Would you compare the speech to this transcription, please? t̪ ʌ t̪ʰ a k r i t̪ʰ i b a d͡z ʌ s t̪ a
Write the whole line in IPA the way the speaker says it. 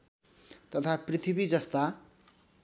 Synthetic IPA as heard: t̪ ʌ t̪ʰ a p r i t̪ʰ i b i d͡z ʌ s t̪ a